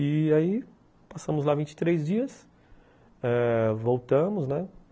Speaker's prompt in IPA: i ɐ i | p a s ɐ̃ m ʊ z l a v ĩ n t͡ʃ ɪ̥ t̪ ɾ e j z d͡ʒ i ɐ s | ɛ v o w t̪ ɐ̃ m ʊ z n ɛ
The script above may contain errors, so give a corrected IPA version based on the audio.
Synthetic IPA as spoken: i a i | p a s ɐ̃ m ʊ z l a v ĩ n t͡ʃ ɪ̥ t̪ ɾ e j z d͡ʒ i ɐ s | ɛ v o w t̪ ɐ̃ m ʊ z n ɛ